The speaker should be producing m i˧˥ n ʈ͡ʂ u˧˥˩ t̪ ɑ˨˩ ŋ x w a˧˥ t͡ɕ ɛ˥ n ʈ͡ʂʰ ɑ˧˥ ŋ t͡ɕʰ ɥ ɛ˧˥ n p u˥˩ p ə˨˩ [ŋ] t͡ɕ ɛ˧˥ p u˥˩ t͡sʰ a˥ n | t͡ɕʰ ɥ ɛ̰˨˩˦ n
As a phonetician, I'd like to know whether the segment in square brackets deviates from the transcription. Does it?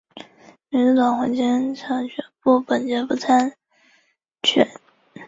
yes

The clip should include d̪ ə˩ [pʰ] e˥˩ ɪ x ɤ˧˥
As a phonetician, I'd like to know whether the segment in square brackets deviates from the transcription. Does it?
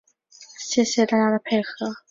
no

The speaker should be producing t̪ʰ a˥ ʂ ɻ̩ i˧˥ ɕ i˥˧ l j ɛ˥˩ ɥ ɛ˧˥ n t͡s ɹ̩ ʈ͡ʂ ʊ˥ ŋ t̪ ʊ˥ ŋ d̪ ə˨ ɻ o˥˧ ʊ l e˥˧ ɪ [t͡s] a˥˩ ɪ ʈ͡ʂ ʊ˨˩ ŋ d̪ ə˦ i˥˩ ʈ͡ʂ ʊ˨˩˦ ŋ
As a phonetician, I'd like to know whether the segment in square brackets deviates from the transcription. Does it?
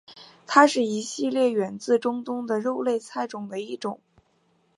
yes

